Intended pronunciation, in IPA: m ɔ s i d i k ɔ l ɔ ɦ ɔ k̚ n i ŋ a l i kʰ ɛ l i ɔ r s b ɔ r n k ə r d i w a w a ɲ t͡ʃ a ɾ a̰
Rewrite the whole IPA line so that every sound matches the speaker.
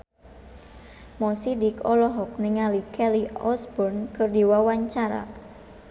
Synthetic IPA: m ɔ s i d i k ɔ l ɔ ɦ ɔ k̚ n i ŋ a l i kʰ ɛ l i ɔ s b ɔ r n k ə r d i w a w a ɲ t͡ʃ a ɾ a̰